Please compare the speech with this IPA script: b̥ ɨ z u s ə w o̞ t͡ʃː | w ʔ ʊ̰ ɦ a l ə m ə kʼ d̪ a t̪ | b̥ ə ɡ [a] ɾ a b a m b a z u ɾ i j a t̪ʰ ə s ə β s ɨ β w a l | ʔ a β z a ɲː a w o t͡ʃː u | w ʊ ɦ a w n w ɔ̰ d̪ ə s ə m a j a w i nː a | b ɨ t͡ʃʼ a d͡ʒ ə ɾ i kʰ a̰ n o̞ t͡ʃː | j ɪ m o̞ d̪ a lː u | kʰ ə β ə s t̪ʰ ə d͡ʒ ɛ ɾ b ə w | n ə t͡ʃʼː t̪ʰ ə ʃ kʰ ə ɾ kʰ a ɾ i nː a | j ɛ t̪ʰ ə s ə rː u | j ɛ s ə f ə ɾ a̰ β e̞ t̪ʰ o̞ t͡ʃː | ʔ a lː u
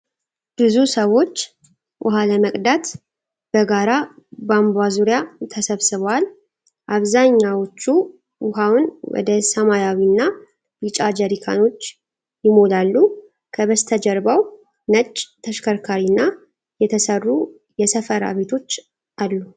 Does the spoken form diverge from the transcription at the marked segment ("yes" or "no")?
no